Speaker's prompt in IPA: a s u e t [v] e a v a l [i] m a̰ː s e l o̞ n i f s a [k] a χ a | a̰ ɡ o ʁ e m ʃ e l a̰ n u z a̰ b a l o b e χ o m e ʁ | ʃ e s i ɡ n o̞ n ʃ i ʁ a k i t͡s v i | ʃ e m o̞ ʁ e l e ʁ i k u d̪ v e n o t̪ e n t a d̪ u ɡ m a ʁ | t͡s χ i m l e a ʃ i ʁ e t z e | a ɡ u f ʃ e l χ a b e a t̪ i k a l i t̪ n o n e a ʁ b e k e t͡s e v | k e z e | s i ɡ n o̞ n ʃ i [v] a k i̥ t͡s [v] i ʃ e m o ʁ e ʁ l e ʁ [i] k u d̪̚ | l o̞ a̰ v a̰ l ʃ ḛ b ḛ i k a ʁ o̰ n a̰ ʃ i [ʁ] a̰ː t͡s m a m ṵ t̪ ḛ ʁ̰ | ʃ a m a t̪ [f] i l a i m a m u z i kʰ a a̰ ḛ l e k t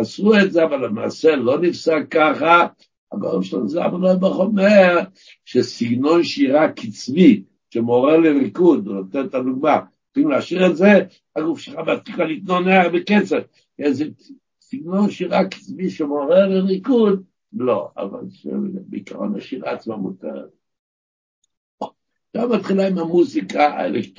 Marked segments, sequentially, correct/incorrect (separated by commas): incorrect, incorrect, correct, incorrect, correct, correct, correct, incorrect